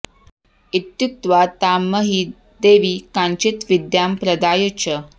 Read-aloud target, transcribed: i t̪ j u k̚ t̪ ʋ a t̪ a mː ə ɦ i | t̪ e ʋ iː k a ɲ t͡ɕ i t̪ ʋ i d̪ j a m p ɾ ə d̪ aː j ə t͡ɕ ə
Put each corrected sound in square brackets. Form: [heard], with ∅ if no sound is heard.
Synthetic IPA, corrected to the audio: i t̪ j u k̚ t̪ ʋ a t̪ a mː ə ɦ i | [d̪] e ʋ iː k a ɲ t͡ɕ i t̪ ʋ i d̪ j a m p ɾ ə d̪ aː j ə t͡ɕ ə